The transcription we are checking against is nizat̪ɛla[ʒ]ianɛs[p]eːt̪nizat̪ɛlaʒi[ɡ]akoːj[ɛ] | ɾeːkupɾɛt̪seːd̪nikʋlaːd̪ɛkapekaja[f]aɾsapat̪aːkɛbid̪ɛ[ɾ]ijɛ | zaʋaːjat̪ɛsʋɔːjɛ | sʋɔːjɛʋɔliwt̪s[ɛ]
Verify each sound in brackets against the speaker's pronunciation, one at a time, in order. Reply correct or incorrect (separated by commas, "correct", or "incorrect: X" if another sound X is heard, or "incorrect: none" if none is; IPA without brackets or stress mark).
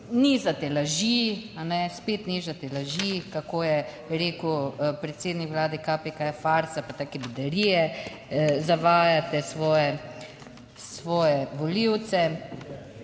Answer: correct, correct, incorrect: k, correct, correct, correct, correct